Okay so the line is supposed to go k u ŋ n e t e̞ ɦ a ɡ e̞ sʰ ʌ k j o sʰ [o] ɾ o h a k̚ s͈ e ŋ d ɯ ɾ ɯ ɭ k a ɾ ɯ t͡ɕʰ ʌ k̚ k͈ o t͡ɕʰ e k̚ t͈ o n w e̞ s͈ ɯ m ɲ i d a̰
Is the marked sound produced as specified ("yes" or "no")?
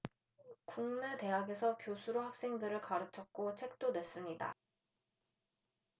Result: no